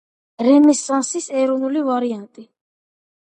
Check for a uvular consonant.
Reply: absent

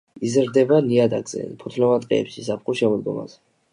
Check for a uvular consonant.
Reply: present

